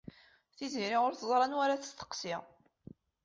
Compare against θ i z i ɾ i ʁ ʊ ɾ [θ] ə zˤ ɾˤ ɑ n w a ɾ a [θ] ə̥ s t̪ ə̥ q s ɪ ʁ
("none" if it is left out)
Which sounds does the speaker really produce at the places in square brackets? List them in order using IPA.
θ, θ

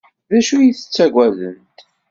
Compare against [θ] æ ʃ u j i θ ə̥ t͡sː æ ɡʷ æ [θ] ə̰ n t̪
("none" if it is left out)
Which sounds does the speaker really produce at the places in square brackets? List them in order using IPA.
ð, ð

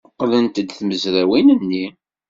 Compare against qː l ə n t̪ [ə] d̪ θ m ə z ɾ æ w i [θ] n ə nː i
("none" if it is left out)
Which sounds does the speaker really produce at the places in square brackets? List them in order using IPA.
ə, none

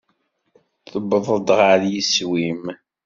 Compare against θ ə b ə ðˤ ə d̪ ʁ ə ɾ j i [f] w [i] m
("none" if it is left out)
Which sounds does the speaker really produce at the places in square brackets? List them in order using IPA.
s, i

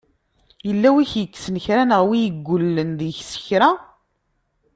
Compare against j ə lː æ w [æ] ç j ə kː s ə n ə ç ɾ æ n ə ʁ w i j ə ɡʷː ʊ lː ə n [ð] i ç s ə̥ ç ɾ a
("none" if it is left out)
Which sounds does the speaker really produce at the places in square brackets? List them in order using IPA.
i, ð

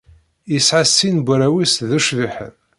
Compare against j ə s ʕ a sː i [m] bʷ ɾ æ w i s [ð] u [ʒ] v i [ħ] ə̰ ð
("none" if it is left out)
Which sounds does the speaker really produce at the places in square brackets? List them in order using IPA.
n, ð, ʃ, ħ

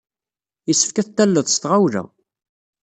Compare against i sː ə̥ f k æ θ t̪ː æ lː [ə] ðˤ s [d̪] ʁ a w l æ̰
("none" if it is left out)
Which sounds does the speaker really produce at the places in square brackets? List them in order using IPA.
ə, t̪

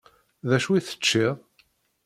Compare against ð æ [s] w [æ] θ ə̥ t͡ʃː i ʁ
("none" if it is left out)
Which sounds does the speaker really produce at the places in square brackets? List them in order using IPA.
ʃ, i

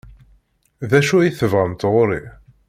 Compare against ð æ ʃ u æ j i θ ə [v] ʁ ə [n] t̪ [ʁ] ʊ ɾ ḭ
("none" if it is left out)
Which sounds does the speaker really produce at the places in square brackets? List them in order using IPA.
v, m, ʁ

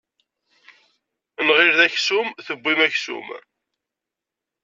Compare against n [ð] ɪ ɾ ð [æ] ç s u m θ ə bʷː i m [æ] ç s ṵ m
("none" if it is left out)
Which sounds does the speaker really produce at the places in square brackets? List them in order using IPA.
ʁ, æ, æ

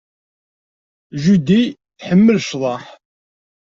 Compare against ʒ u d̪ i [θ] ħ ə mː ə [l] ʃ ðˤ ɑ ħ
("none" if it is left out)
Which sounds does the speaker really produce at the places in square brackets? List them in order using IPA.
θ, l

